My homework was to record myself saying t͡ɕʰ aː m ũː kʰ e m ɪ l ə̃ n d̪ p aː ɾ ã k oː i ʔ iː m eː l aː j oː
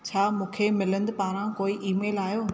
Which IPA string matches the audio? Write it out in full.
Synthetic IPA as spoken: t͡ɕʰ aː m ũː kʰ e m ɪ l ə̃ n d̪ p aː ɾ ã k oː i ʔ iː m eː l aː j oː